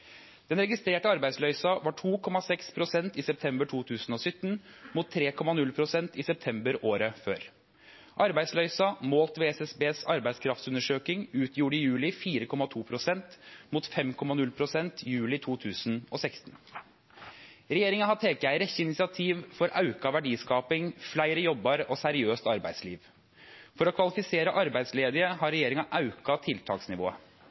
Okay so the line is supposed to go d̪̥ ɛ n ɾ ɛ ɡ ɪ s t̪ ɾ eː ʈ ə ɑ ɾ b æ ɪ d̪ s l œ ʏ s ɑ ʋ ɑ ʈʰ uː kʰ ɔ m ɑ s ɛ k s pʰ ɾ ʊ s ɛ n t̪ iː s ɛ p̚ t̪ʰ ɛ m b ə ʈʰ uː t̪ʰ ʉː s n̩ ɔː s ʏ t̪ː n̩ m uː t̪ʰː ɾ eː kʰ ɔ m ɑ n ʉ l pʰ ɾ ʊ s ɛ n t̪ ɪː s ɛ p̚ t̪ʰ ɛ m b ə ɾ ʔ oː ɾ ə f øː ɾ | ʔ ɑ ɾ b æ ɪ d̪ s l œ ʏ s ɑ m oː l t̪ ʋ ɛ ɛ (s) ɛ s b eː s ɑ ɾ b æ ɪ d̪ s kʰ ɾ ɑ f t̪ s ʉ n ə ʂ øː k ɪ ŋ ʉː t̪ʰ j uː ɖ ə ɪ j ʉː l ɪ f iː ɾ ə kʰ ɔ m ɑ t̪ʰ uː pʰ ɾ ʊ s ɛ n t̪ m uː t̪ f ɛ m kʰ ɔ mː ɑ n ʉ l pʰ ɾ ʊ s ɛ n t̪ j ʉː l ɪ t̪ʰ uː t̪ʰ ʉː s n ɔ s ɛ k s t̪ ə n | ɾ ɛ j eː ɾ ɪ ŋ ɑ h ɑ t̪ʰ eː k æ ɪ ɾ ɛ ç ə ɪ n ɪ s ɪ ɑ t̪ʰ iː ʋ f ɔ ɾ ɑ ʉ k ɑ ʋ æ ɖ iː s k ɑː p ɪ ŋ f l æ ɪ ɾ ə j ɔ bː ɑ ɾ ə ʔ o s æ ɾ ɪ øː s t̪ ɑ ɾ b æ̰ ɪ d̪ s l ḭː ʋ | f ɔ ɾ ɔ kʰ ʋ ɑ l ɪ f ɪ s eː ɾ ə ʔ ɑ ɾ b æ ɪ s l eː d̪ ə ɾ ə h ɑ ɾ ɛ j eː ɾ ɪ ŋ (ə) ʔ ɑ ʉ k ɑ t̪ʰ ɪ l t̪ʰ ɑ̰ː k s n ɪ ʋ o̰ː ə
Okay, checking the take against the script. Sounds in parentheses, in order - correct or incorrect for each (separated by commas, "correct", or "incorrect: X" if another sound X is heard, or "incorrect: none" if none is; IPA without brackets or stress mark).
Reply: correct, incorrect: ɑ